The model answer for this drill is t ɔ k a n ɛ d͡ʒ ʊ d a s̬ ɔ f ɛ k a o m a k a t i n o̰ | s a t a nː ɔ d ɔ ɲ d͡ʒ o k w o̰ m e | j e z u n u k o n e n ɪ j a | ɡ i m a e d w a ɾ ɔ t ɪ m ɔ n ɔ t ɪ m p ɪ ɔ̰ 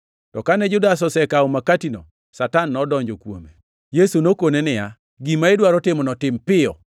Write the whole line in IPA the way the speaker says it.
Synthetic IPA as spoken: t ɔ k a n ɛ d͡ʒ ʊ d a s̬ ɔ s ɛ k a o m a k a t i n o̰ | s a t a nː ɔ d ɔ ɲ d͡ʒ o k w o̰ m e | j e s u n o k o n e n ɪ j a | ɡ i m a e d w a ɾ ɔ t ɪ m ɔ n ɔ t ɪ m p ɪ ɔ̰